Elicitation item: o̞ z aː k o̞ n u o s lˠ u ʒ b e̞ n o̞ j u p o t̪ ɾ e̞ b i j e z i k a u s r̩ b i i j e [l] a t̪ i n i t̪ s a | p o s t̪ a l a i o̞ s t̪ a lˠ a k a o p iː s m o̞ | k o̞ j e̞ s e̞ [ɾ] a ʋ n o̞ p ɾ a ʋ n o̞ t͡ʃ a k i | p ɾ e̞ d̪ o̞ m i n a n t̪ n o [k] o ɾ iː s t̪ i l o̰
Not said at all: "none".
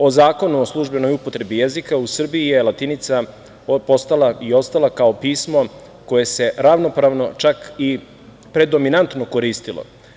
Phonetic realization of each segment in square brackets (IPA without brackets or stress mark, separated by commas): l, ɾ, k